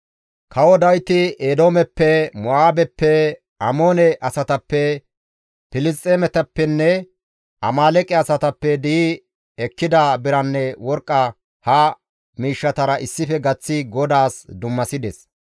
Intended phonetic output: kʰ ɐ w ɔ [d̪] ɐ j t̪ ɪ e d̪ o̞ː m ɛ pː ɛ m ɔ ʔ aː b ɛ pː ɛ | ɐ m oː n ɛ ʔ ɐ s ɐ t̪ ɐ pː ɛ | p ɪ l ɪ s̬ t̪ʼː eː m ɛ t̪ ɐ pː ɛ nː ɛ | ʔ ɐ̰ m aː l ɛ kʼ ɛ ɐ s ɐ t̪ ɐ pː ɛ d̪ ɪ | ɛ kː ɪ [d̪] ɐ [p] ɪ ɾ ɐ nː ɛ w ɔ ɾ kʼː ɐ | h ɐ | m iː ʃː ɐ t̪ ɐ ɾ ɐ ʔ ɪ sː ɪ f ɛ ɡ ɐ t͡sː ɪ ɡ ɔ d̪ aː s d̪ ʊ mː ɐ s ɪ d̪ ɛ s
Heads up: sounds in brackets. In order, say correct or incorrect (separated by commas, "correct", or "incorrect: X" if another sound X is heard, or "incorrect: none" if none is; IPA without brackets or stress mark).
correct, correct, incorrect: b